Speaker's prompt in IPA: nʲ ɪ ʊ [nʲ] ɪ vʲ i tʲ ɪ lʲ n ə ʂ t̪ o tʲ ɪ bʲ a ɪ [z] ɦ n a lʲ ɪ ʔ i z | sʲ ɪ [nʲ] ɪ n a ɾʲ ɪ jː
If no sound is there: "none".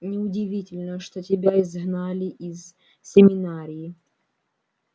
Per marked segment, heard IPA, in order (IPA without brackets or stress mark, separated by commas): dʲ, z, mʲ